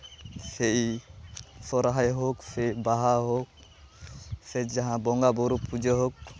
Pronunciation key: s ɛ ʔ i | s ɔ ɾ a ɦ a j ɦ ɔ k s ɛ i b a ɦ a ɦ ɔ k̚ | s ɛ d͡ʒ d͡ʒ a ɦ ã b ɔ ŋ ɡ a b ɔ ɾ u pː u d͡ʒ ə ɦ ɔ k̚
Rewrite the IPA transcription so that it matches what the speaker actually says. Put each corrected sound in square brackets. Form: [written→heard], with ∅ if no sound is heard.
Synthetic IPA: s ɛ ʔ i | s ɔ ɾ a ɦ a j ɦ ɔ k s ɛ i b a ɦ a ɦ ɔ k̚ | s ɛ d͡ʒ d͡ʒ a ɦ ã b ɔ ŋ ɡ a b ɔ ɾ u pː u d͡ʒ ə ɦ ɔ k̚